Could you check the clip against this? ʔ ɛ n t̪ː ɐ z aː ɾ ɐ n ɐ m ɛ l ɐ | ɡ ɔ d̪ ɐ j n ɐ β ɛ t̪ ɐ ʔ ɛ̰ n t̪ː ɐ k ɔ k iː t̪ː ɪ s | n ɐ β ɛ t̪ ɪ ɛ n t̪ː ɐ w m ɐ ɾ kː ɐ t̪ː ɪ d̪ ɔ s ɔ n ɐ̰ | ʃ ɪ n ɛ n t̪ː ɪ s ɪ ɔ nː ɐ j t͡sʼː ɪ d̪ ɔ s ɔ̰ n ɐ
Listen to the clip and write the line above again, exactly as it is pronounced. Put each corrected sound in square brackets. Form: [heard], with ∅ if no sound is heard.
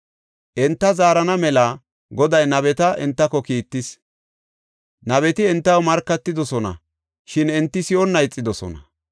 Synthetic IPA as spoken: ʔ ɛ n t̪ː ɐ z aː ɾ ɐ n ɐ m ɛ l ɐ | ɡ ɔ d̪ ɐ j n ɐ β ɛ t̪ ɐ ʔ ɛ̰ n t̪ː ɐ k ɔ k iː t̪ː ɪ s | n ɐ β ɛ t̪ ɪ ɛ n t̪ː ɐ w m ɐ ɾ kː ɐ t̪ː ɪ d̪ ɔ s ɔ n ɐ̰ | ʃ ɪ n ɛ n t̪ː ɪ s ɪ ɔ nː ɐ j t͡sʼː ɪ d̪ ɔ s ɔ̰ n ɐ